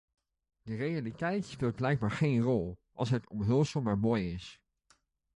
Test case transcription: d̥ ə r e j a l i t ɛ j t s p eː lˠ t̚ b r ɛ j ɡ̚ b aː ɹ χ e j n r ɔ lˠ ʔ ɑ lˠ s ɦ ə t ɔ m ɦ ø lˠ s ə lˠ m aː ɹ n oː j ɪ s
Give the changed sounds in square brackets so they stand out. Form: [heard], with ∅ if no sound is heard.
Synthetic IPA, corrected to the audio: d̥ ə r e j a l i t ɛ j t s p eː lˠ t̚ b [l] ɛ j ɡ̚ b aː ɹ χ e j n r ɔ lˠ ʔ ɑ lˠ s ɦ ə t ɔ m ɦ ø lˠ s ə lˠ m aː ɹ [m] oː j ɪ s

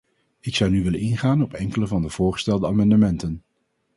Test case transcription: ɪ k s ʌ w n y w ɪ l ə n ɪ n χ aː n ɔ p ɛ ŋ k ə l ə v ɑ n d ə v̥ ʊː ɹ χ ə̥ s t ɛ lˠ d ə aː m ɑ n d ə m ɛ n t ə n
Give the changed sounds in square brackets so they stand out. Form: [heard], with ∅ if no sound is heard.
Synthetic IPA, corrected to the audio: ɪ k s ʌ w n y [ʋ] ɪ l ə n ɪ n χ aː n ɔ p ɛ ŋ k ə l ə v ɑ n d ə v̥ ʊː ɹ χ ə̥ s t ɛ lˠ d ə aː m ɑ n d ə m ɛ n t ə n

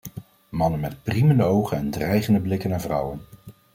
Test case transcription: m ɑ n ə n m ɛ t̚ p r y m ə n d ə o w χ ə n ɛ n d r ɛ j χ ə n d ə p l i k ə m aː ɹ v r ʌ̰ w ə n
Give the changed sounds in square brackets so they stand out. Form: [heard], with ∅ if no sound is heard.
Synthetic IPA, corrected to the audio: m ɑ n ə n m ɛ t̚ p r [i] m ə n d ə o w χ ə n ɛ n d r ɛ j χ ə n d ə [b] l [ɪ] k ə [n] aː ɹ v r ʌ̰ w ə n

